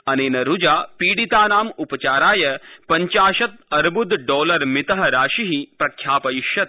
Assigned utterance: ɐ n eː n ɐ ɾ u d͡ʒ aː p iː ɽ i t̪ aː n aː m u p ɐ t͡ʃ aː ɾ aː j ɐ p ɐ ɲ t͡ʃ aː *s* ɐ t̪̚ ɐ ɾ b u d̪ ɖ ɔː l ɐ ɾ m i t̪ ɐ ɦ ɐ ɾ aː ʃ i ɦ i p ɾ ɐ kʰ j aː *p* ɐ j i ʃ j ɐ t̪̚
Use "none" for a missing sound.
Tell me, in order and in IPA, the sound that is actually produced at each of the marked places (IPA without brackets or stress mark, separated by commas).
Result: ʃ, p